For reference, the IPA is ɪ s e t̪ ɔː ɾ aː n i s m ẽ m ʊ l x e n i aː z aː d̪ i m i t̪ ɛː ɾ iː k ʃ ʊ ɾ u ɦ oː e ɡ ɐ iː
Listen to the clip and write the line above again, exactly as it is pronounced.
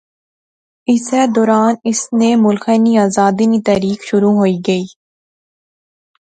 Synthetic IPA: ɪ s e d̪ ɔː ɾ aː n ɪ s n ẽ m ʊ l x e n i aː z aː d̪ i n i t̪ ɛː ɾ iː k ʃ ʊ ɾ u ɦ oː i ɡ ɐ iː